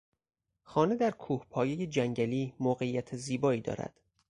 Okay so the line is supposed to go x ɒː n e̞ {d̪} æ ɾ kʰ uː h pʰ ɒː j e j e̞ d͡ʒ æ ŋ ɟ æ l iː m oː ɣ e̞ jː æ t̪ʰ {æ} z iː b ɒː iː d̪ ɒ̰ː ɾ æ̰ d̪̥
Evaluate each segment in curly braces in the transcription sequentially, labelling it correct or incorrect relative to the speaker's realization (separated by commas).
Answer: correct, incorrect